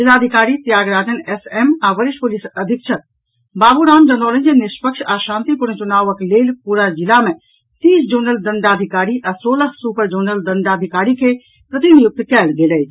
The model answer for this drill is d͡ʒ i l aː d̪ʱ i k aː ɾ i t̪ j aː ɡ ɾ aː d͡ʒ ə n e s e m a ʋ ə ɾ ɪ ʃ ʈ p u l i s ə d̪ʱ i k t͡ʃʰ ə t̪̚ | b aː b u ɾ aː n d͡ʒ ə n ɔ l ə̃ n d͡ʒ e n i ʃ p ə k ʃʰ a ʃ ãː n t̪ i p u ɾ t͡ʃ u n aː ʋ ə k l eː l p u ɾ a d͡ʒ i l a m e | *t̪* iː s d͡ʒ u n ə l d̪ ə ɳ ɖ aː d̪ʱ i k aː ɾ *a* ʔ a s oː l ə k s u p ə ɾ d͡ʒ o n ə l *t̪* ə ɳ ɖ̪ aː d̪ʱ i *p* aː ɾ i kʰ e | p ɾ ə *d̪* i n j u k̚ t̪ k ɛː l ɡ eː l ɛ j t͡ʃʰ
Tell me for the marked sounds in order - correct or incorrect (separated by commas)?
correct, incorrect, incorrect, incorrect, incorrect